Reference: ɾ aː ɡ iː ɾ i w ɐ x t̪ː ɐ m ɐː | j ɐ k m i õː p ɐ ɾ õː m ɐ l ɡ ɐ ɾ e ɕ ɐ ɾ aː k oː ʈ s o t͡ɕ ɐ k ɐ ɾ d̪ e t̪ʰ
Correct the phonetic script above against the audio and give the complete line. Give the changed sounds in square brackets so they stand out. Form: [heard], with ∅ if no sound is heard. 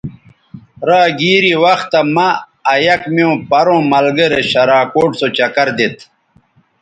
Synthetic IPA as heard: ɾ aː ɡ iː ɾ i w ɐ x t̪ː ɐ m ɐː | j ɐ k m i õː p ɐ ɾ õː m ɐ l ɡ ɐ ɾ e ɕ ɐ ɾ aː k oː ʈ s o t͡ɕ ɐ k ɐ ɾ d̪ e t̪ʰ